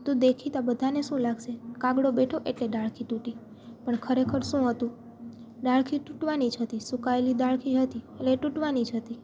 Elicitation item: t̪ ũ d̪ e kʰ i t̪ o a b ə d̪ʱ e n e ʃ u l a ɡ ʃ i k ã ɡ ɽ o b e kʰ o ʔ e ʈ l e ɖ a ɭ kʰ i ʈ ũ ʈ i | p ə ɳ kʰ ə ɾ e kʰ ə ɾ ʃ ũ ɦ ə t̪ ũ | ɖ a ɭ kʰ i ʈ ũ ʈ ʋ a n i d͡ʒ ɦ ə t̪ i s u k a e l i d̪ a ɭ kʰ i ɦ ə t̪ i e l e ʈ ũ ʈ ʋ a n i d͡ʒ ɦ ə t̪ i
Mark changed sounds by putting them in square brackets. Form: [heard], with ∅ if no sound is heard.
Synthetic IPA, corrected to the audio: t̪ ũ d̪ e kʰ i t̪ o a b ə d̪ʱ [a] n e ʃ [ũ] l a ɡ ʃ [e] k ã ɡ ɽ o b e [ʈʰ] o ʔ e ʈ l e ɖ a ɭ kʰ i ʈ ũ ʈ i | p ə ɳ kʰ ə ɾ e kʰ ə ɾ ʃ ũ ɦ ə t̪ ũ | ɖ a ɭ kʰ i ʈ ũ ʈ ʋ a n i d͡ʒ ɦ ə t̪ i s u k a e l i d̪ a ɭ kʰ i ɦ ə t̪ i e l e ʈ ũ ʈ ʋ a n i d͡ʒ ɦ ə t̪ i